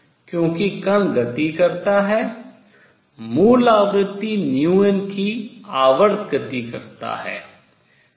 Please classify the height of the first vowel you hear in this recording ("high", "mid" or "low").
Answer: mid